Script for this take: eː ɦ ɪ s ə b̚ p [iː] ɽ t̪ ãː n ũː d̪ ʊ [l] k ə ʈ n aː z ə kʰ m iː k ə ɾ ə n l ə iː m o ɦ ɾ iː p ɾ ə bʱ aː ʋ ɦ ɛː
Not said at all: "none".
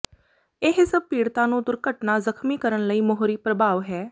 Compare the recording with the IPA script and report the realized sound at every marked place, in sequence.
iː, ɾ

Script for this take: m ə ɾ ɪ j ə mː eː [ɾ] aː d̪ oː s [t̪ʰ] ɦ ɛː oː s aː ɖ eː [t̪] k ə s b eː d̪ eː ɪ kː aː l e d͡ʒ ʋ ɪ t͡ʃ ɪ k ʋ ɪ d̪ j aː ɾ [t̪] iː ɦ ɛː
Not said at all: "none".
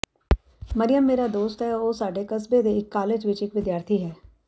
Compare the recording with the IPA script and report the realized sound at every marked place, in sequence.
ɾ, t̪, none, t̪ʰ

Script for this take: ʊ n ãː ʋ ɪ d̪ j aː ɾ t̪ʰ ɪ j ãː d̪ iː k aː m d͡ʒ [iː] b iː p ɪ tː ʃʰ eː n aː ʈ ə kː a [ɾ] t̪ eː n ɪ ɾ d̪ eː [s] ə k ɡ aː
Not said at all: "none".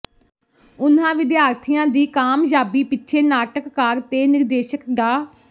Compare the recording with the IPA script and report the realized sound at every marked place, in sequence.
aː, ɾ, ʃ

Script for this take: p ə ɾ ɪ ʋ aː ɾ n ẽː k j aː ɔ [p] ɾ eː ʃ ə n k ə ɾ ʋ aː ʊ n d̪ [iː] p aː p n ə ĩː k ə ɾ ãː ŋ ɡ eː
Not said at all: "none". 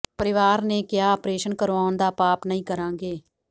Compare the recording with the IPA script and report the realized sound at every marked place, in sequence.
p, aː

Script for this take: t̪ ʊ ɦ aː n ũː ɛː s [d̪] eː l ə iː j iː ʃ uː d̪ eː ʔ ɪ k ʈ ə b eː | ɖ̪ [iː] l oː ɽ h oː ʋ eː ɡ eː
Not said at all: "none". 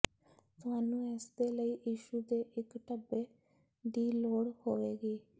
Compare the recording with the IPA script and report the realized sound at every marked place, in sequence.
d̪, iː

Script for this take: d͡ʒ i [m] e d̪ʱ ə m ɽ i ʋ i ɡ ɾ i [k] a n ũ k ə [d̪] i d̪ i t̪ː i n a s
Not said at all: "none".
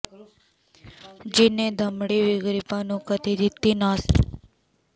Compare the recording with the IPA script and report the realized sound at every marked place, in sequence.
n, p, t̪

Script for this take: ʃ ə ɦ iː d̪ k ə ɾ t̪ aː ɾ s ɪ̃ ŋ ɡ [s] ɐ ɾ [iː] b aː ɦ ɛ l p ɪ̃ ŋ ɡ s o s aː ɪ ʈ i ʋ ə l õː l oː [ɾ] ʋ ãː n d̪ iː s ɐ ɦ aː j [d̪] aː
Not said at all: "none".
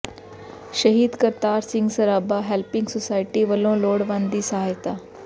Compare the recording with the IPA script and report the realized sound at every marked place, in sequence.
s, aː, ɽ, t̪

